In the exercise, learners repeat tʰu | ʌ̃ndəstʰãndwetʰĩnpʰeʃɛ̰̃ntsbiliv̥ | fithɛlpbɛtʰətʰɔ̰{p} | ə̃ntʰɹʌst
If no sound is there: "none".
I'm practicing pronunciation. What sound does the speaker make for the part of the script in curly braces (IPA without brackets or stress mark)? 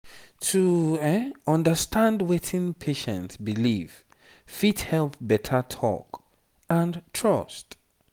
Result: k